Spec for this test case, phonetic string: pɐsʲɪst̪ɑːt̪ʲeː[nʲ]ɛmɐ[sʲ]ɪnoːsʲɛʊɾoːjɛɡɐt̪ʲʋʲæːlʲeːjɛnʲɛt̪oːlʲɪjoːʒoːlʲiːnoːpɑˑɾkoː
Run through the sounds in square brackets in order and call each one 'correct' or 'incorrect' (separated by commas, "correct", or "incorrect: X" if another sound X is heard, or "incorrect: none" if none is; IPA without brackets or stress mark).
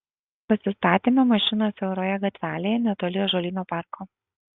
incorrect: mʲ, incorrect: ʃʲ